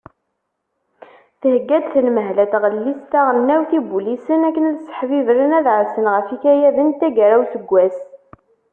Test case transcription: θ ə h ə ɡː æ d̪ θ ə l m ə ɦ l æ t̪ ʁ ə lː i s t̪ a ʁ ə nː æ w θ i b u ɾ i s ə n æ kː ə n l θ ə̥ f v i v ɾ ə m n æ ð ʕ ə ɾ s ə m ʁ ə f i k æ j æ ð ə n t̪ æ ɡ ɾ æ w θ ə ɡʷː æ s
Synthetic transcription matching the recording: θ ə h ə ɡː æ d̪ θ ə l m ə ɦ l æ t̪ ʁ ə lː i s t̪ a ʁ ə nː æ w θ i b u l i s ə n æ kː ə n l s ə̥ ħ v i v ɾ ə n æ ð ʕ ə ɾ s ə n ʁ ə f i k æ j æ ð ə n t̪ æ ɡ ɾ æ w θ ə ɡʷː æ s

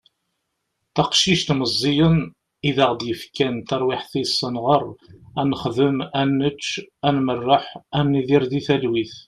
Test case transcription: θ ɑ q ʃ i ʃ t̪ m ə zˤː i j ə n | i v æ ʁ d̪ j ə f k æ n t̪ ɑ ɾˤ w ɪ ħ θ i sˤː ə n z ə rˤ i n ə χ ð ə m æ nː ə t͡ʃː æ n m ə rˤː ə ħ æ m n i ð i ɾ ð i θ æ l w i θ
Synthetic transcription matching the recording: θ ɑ q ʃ i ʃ t̪ m ə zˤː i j ə n | i ð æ ʁ d̪ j ə f k æ n t̪ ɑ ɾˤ w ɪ ħ θ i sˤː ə n ʁ ə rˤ æ n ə χ ð ə m æ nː ə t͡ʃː æ n m ə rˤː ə ħ æ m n i ð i ɾ ð i θ æ l w i θ

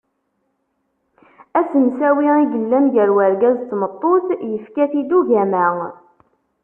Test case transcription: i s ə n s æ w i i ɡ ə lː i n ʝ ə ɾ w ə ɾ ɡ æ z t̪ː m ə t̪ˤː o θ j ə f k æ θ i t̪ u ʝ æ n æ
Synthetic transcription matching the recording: æ s ə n s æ w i i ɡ ə lː æ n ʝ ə ɾ w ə ɾ ɡ æ z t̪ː m ə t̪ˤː o θ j ə f k æ θ i d̪ u ʝ æ m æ

